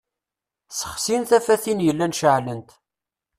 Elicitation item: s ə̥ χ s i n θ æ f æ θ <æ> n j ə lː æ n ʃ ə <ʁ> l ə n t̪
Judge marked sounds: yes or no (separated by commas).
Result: no, no